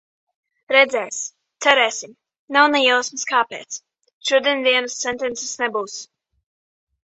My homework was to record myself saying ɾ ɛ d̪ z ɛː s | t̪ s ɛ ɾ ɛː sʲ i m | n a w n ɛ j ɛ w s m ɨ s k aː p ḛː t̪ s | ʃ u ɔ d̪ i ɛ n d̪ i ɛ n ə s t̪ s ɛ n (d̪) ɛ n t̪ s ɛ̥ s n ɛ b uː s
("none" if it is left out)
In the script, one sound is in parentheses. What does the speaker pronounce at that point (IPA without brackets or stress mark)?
t̪